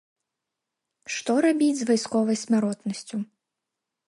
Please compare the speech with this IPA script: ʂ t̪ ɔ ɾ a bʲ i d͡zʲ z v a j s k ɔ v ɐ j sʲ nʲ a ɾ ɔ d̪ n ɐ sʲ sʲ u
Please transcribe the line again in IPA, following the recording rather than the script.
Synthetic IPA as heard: ʂ t̪ ɔ ɾ a bʲ i d͡zʲ z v a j s k ɔ v ɐ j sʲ mʲ a ɾ ɔ t̪ n ɐ sʲ t͡sʲ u